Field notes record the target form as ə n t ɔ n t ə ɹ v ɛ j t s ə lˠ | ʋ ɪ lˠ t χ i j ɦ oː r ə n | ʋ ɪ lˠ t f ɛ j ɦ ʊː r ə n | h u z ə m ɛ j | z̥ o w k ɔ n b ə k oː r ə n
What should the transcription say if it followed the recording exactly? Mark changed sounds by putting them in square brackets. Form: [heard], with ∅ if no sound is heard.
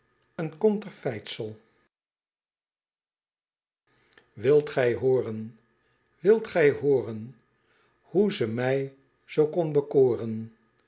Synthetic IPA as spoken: ə n [k] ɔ n t ə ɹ [f] ɛ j t s ə lˠ | ʋ ɪ lˠ t χ [ɛ] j ɦ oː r ə n | ʋ ɪ lˠ t [χ] ɛ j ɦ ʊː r ə n | h u z ə m ɛ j | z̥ o w k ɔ n b ə k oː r ə n